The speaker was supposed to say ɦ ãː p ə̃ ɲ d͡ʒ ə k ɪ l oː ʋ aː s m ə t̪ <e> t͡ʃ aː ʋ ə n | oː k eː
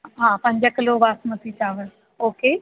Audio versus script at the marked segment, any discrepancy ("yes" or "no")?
yes